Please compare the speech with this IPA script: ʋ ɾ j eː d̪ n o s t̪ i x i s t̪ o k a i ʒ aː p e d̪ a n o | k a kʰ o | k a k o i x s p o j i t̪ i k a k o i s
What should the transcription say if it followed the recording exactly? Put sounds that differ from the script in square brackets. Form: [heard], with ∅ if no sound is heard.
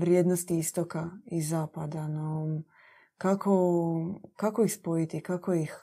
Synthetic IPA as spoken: ʋ ɾ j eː d̪ n o s t̪ i [∅] i s t̪ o k a i [z] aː p [a] d̪ a n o | k a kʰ o | k a k o i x s p o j i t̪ i k a k o i [x]